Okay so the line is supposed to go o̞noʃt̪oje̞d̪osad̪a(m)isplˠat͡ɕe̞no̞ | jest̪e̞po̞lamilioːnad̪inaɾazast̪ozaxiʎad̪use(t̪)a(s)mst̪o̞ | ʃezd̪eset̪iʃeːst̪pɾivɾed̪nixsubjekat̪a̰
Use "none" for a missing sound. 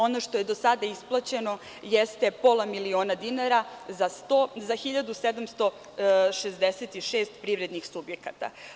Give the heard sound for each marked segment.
none, d̪, none

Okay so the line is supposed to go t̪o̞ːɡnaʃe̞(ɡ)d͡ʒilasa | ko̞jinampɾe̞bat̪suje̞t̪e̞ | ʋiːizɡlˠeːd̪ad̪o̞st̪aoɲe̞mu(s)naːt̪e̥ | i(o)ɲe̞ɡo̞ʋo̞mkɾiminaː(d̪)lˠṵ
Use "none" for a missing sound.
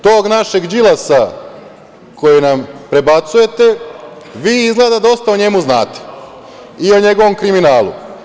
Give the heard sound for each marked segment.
ɡ, z, o, none

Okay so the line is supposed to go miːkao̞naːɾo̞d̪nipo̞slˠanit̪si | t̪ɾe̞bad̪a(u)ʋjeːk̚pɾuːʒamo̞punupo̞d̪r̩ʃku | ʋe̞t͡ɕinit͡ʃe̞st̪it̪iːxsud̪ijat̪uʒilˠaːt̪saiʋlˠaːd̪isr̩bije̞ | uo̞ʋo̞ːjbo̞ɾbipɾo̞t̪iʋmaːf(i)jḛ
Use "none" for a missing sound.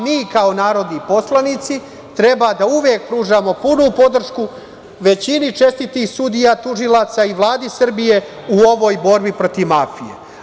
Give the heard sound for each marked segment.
u, i

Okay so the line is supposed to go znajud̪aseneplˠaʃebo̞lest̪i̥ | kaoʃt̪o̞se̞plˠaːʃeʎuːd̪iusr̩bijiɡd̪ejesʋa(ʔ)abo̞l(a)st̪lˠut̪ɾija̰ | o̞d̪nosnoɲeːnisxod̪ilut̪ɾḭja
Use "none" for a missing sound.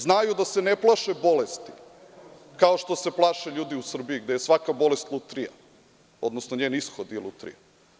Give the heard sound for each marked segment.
k, e

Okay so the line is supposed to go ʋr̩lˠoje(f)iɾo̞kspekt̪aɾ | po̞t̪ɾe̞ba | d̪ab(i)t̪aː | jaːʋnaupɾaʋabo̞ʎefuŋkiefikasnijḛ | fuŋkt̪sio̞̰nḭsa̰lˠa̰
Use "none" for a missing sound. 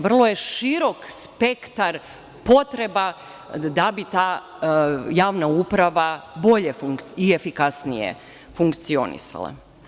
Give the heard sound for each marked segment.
ʃ, i

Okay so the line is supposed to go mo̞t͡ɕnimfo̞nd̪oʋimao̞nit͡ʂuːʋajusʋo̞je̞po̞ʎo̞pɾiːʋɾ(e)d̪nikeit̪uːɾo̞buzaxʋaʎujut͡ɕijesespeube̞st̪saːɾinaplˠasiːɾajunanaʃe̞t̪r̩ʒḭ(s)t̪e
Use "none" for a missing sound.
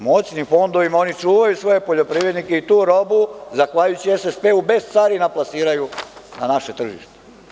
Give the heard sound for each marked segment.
e, ʃ

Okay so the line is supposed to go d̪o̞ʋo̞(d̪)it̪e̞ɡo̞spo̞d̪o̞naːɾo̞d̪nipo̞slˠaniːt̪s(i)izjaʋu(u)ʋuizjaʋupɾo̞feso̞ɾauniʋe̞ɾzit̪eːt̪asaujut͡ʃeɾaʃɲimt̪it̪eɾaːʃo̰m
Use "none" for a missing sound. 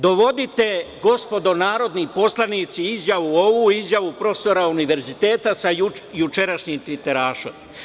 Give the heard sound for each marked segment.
d̪, i, o

